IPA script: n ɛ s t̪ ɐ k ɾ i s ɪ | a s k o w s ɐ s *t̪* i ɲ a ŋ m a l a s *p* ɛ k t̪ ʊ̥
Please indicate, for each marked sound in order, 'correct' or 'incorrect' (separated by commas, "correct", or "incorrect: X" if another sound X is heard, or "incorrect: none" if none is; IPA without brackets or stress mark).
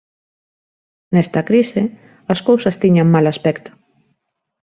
correct, correct